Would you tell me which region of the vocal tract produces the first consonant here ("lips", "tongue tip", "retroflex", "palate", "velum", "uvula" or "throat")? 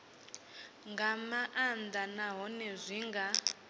velum